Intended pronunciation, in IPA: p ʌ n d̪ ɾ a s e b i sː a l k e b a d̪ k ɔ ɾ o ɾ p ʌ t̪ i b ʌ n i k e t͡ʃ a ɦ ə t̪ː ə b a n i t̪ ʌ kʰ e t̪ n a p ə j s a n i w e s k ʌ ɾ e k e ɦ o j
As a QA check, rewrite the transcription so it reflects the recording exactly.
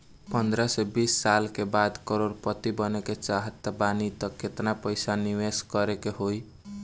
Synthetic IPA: p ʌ n d̪ ɾ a s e b i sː a l k e b a d̪ k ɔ ɾ o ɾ p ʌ t̪ i b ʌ n e k e t͡ʃ a ɦ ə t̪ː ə b a n i t̪ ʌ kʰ e t̪ n a p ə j s a n i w e s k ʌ ɾ e k e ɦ o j